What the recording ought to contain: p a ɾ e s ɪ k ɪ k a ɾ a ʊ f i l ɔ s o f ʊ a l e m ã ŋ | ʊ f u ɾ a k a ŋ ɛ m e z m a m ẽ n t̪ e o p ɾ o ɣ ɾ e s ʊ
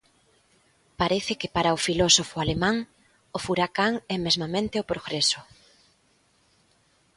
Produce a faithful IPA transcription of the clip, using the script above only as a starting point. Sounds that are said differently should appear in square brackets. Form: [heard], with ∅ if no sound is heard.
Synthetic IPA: p a ɾ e [θ] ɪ k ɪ [p] a ɾ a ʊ f i l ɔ s o f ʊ a l e m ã ŋ | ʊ f u ɾ a k a ŋ ɛ m e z m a m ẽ n t̪ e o p ɾ o ɣ ɾ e s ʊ